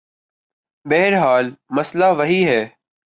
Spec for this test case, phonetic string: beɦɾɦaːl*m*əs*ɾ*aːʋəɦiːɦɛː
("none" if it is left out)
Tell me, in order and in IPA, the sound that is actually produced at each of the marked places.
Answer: m, l

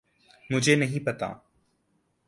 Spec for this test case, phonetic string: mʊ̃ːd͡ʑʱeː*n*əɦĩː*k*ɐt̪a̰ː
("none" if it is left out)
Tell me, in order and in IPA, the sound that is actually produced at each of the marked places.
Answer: n, p

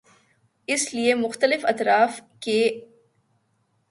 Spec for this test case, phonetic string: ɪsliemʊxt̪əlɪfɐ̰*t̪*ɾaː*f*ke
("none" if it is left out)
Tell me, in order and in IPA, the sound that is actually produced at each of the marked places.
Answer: t̪, f

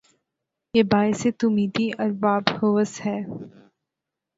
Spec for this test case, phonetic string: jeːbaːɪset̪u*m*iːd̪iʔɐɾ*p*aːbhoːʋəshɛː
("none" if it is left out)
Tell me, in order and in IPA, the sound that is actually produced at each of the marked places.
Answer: m, b

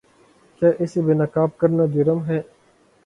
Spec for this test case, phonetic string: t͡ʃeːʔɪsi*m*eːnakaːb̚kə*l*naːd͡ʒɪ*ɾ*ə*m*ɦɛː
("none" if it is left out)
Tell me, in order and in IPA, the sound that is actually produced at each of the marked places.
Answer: b, ɾ, ɾ, m

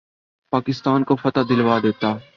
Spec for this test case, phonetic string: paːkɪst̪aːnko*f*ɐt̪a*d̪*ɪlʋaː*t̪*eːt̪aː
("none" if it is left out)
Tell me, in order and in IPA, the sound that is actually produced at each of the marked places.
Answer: f, d̪, d̪

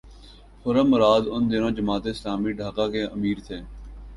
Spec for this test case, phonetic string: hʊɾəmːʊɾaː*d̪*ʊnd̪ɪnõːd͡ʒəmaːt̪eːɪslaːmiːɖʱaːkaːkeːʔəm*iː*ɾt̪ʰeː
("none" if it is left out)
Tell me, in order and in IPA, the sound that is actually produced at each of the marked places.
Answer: d̪, iː

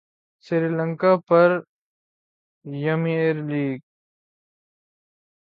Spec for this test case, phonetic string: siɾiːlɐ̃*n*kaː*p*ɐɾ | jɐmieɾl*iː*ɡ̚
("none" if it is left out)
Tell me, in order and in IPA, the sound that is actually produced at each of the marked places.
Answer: ŋ, p, iː

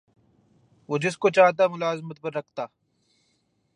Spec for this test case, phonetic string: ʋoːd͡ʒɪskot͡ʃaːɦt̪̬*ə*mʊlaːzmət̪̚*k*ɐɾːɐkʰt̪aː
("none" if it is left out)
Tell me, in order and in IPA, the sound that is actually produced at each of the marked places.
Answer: a, p

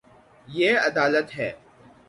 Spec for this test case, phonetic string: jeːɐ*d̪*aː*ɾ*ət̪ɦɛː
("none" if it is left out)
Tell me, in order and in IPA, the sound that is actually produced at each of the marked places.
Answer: d̪, l

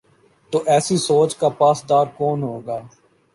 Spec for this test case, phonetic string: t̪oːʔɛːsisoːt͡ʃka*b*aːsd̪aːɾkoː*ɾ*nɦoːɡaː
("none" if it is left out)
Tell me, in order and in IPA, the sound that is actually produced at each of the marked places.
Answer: p, none

